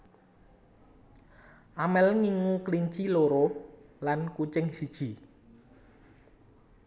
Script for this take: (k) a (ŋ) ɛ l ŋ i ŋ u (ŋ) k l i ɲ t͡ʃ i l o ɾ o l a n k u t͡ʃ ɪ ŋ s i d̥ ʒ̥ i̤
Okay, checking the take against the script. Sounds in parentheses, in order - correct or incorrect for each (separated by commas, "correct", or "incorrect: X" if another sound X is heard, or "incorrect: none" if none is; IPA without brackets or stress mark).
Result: incorrect: ʔ, incorrect: m, incorrect: none